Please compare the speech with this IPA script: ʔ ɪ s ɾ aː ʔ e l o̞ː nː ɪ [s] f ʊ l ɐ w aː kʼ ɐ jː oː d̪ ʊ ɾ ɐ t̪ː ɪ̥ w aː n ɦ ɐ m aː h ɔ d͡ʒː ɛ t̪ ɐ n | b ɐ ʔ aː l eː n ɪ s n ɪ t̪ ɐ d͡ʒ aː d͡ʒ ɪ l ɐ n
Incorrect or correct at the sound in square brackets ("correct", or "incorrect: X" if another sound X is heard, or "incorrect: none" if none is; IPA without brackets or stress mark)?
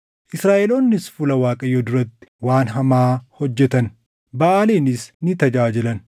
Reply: correct